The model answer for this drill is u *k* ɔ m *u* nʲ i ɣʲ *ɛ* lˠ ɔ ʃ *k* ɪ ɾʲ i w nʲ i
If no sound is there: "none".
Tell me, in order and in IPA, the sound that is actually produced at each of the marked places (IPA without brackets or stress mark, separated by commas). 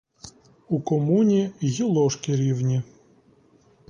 k, u, i, k